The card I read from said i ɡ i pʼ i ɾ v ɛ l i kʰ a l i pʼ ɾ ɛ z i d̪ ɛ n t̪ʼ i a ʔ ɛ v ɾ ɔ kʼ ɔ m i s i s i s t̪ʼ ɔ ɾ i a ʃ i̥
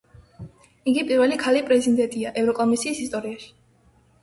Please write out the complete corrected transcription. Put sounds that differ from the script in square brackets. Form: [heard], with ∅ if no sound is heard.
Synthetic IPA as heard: i ɡ i pʼ i ɾ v ɛ l i kʰ a l i pʼ ɾ ɛ z i d̪ ɛ n t̪ʼ i a ʔ ɛ v ɾ ɔ kʼ ɔ m i s [iː] s i s t̪ʼ ɔ ɾ i a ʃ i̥